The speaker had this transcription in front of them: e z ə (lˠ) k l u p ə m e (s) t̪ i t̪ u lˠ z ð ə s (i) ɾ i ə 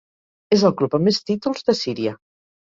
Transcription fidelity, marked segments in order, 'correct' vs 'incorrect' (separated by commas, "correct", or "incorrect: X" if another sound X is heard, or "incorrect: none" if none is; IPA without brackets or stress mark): correct, correct, correct